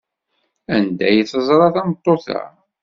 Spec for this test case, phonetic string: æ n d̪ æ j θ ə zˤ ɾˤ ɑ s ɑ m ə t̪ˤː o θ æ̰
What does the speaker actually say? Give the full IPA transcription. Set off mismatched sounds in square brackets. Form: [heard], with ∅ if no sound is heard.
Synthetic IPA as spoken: æ n d̪ æ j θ ə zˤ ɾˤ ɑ [θ] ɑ m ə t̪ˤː o θ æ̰